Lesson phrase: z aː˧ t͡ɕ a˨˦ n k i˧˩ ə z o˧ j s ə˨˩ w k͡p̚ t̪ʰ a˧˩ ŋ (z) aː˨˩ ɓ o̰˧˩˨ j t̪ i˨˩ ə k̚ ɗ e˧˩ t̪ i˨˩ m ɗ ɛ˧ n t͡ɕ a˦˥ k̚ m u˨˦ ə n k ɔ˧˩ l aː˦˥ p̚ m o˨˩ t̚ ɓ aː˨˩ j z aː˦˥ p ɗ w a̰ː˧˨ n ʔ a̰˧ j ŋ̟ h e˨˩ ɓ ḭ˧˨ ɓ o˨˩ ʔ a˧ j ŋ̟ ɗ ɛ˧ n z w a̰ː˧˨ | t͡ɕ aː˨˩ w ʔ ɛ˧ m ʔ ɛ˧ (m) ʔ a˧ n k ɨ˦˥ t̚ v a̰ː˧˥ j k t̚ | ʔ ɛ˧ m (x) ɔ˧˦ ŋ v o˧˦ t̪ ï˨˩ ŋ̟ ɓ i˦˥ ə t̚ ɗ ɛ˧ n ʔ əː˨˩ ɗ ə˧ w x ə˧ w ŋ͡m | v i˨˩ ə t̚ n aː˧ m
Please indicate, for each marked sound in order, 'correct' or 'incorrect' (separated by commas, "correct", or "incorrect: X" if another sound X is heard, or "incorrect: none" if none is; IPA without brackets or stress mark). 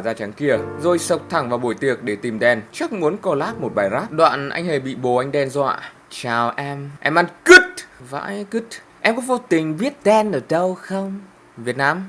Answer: incorrect: v, correct, incorrect: k